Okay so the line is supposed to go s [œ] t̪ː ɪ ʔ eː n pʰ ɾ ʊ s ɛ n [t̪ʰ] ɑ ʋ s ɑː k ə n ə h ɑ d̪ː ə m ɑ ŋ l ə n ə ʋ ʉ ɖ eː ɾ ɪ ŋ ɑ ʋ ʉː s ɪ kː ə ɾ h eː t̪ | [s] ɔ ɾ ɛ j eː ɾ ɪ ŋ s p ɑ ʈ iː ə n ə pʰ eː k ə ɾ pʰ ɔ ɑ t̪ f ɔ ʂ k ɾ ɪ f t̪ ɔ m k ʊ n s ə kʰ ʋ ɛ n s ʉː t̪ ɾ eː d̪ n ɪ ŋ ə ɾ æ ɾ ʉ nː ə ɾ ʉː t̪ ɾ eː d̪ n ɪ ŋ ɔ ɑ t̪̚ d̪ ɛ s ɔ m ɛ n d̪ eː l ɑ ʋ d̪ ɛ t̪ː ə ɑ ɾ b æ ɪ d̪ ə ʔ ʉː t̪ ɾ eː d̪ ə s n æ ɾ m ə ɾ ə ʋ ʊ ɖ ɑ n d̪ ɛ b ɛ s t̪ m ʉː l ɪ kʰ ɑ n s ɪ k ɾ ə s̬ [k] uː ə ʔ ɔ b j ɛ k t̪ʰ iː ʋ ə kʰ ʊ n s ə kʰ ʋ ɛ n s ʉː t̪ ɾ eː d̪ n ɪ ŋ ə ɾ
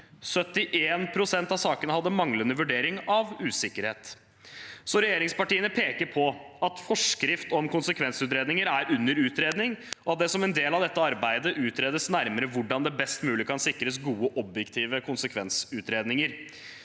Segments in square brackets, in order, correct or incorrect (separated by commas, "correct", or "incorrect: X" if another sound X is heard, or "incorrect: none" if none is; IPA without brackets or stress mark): correct, incorrect: t̪, correct, incorrect: ɡ